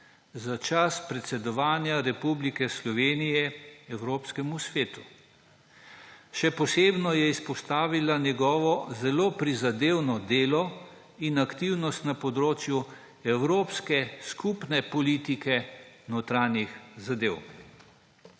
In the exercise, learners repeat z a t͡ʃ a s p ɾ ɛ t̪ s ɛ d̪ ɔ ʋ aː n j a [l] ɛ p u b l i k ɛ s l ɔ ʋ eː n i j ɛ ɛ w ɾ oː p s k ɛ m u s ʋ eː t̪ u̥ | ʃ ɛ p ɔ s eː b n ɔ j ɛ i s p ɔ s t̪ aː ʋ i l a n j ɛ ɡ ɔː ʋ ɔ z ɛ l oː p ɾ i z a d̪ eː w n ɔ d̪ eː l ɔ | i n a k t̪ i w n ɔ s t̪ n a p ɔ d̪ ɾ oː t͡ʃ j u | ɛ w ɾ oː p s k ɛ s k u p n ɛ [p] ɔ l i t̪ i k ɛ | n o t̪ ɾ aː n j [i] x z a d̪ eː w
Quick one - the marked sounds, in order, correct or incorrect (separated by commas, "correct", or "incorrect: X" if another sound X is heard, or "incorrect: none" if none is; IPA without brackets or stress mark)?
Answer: incorrect: ɾ, correct, correct